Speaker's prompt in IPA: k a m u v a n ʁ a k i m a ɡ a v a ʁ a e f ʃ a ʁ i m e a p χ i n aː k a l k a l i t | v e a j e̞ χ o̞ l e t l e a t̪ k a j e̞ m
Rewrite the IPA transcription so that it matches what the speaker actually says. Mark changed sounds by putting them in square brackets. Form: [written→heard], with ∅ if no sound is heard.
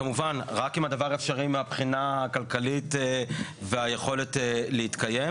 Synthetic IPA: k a m u v a n ʁ a k i m a [ɡ→d] a v a ʁ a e f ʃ a ʁ i m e a p χ i n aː k a l k a l i t | v e a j e̞ χ o̞ l e t l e [a→i] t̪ k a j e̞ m